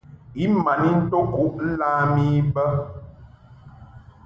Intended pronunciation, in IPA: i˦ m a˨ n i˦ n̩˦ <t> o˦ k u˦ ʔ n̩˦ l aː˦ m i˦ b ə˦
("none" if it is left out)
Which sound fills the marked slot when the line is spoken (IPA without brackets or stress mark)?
t